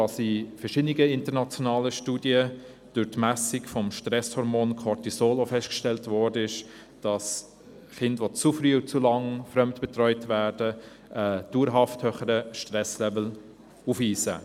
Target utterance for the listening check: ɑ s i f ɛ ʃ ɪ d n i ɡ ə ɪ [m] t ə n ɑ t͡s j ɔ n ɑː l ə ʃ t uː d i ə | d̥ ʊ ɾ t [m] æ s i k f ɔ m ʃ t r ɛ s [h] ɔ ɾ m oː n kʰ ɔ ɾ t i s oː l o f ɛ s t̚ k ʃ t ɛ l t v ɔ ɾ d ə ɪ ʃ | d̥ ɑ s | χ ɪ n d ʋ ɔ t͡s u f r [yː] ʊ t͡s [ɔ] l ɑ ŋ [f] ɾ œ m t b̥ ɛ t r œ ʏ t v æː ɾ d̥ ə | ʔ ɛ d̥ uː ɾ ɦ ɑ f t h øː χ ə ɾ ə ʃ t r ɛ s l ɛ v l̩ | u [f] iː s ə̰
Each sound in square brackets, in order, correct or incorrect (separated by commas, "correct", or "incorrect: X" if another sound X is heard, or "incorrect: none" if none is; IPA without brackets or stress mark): incorrect: n, correct, correct, correct, incorrect: u, correct, correct